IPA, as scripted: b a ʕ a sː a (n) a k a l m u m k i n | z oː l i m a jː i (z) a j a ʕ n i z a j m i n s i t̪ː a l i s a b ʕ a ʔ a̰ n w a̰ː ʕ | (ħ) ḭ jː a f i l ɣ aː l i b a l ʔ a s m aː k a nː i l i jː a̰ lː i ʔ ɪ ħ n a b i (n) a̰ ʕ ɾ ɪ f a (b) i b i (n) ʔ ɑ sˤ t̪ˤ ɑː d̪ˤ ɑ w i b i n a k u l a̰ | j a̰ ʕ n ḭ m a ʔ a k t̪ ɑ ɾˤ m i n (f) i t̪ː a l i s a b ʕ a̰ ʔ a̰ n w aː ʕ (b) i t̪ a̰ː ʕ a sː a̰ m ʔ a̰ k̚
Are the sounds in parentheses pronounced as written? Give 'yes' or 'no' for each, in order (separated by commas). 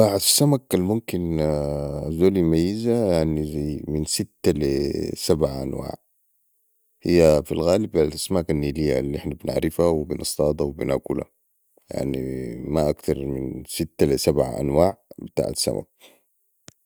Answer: no, yes, no, yes, no, yes, no, yes